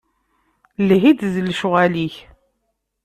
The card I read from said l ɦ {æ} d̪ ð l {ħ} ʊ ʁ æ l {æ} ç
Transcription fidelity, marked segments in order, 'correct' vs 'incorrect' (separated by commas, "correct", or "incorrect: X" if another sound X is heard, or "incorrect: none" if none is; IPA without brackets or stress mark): incorrect: i, incorrect: ʃ, incorrect: i